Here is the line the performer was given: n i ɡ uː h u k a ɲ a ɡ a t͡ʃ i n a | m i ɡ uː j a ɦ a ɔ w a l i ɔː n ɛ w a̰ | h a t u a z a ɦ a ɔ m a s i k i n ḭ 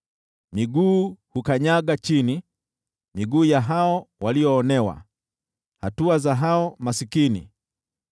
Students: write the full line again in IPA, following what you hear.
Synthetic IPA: m i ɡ uː h u k a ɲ a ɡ a t͡ʃ i n i | m i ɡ uː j a ɦ a ɔ w a l i ɔː n ɛ w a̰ | h a t u a z a ɦ a ɔ m a s i k i n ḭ